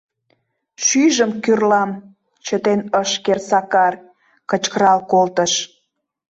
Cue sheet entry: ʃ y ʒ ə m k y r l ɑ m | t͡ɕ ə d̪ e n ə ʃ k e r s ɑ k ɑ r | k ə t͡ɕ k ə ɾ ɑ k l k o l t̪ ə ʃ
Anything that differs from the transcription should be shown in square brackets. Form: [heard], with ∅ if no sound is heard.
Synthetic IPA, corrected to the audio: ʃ y ʒ ə m k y r l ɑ m | t͡ɕ ə [t̪] e n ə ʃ k e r s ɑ k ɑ r | k ə t͡ɕ k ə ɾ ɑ [∅] l k o l t̪ ə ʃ